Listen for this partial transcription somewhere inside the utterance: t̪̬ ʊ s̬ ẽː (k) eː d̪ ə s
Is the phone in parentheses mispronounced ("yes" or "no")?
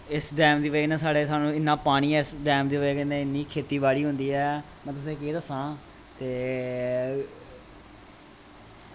no